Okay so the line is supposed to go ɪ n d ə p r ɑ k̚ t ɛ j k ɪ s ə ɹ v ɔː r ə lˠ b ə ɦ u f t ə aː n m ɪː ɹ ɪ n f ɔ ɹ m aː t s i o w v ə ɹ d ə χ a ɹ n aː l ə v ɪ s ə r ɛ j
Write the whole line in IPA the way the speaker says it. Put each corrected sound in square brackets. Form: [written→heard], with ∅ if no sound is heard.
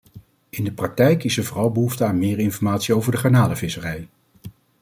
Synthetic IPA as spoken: ɪ n d ə p r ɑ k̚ t ɛ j k ɪ s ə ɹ v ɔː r [ə→ɑ] lˠ b ə ɦ u f t ə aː n m ɪː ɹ ɪ n f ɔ ɹ m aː t s i o w v ə ɹ d ə χ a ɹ n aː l ə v ɪ s ə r ɛ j